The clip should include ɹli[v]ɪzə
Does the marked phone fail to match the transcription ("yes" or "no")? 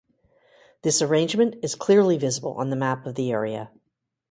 no